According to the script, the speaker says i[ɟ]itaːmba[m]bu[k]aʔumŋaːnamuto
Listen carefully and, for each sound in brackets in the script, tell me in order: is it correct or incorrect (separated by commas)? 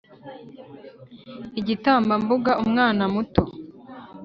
correct, correct, incorrect